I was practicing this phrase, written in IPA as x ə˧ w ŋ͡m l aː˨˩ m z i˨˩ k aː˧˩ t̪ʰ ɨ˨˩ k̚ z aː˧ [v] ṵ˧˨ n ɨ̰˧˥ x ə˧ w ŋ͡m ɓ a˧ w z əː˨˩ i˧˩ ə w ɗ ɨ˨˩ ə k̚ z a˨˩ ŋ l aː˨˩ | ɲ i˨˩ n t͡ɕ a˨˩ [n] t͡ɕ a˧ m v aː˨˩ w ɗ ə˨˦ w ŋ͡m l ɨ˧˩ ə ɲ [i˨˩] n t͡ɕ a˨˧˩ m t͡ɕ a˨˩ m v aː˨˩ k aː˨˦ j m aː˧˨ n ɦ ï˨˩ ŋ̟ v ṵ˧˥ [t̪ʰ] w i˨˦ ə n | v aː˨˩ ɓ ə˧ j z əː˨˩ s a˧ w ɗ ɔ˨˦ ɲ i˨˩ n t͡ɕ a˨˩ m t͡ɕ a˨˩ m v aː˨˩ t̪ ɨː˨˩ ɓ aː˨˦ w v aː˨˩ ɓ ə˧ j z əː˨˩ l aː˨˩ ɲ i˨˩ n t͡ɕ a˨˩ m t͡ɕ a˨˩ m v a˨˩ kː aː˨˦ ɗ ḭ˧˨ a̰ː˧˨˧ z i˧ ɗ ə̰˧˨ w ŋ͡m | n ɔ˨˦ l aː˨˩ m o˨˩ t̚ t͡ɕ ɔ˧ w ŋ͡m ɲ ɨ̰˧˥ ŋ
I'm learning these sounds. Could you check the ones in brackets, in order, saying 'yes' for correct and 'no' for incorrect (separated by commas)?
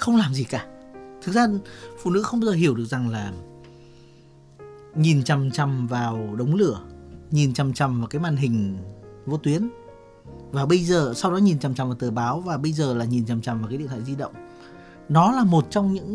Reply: no, no, yes, no